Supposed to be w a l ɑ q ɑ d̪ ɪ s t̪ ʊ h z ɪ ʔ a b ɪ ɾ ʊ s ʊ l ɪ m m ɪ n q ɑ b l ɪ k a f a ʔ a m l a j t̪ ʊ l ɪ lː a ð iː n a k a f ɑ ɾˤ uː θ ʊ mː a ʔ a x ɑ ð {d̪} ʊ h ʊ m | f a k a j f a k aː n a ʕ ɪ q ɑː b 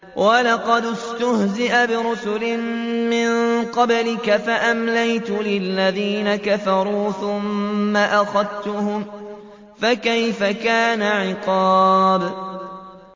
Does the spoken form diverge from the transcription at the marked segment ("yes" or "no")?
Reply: yes